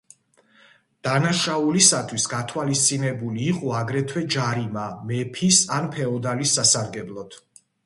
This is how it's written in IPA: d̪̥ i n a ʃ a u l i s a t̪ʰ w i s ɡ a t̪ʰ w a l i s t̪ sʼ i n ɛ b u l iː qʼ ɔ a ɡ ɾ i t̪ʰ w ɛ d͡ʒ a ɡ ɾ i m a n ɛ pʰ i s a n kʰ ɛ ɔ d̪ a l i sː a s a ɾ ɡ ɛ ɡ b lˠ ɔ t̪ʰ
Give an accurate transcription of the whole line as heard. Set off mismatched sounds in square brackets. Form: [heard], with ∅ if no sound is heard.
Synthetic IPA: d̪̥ [a] n a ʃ a u l i s a t̪ʰ w i s ɡ a t̪ʰ w a l i s t̪ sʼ i n ɛ b u l iː qʼ ɔ a ɡ ɾ [ɛ] t̪ʰ w ɛ d͡ʒ a [∅] ɾ i m a [m] ɛ pʰ i s a n [pʰ] ɛ ɔ d̪ a l i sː a s a ɾ ɡ ɛ [∅] b lˠ ɔ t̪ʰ